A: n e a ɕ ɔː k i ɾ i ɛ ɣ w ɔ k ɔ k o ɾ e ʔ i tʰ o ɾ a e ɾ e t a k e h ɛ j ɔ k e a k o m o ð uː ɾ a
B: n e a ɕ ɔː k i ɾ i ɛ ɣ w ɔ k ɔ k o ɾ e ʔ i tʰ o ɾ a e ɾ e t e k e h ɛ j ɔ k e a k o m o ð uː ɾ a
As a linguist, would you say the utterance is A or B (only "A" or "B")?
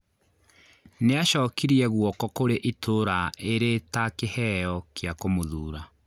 A